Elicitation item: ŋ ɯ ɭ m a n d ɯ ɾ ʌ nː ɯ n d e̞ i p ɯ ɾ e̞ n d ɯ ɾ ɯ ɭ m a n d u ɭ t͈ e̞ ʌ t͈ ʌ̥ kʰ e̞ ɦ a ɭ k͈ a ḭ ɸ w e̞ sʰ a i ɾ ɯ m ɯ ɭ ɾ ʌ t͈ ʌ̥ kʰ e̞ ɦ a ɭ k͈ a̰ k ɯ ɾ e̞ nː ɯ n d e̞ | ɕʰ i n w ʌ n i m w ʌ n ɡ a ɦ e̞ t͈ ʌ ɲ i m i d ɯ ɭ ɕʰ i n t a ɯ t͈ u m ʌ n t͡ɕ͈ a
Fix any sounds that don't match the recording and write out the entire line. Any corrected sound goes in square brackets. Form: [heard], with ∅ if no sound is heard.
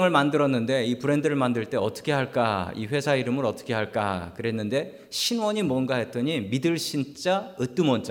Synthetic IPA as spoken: ŋ ɯ ɭ m a n d ɯ ɾ ʌ nː ɯ n d e̞ i p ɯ ɾ e̞ n d ɯ ɾ ɯ ɭ m a n d [ɯ] ɭ t͈ e̞ ʌ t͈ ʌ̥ kʰ e̞ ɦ a ɭ k͈ a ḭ ɸ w e̞ sʰ a i ɾ ɯ m ɯ [∅] ɾ ʌ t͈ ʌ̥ kʰ e̞ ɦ a ɭ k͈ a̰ k ɯ ɾ e̞ nː ɯ n d e̞ | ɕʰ i n w ʌ [ɲ] i m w ʌ n ɡ a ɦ e̞ t͈ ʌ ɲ i m i d ɯ ɭ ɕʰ i n [t͡ɕ͈] a ɯ t͈ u m ʌ n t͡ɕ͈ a